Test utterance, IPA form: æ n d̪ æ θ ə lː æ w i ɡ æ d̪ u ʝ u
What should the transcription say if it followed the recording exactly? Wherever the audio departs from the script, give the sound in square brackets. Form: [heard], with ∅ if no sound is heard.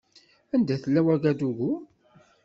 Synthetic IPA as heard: æ n d̪ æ θ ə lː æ w [æ] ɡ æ d̪ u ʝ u